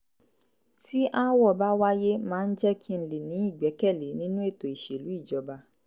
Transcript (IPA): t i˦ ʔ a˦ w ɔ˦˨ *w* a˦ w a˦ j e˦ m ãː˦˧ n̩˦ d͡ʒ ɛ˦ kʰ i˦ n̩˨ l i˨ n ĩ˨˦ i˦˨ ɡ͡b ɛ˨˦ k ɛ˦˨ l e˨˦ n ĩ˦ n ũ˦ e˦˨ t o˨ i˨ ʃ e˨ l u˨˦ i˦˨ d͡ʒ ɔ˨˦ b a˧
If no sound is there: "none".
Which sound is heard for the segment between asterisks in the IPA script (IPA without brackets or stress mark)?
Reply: b